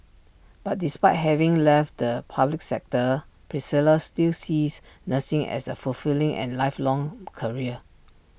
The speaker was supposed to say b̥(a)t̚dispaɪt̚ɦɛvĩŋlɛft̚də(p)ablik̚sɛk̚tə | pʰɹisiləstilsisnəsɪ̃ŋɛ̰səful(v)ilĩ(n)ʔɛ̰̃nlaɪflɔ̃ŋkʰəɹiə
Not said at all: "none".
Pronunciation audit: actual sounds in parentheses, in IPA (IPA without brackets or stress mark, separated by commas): a, pʰ, f, ŋ